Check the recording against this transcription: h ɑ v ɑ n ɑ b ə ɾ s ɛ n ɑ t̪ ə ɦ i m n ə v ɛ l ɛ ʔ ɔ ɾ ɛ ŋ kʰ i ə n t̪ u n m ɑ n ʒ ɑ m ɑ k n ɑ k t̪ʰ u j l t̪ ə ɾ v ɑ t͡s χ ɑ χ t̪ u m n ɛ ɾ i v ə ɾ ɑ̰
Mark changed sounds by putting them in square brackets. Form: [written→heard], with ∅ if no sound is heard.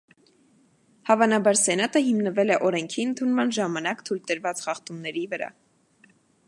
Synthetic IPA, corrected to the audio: h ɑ v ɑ n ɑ b [ə→ɑ] ɾ s ɛ n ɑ t̪ ə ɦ i m n ə v ɛ l ɛ ʔ ɔ ɾ ɛ ŋ kʰ i ə n [t̪→t̪ʰ] u n m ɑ n ʒ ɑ m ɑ [k→∅] n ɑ k t̪ʰ u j l t̪ ə ɾ v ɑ t͡s χ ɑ χ t̪ u m n ɛ ɾ i v ə ɾ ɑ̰